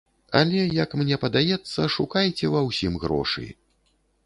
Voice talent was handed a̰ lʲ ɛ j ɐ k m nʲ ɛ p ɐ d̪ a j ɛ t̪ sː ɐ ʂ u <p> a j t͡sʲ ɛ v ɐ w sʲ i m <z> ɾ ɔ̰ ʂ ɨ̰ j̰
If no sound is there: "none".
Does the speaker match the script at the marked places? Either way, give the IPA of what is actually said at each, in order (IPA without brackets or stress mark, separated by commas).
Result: k, ɣ